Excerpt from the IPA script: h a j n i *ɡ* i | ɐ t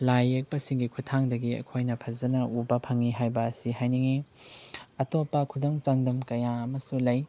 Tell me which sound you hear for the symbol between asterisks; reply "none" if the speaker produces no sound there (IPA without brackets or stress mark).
ŋ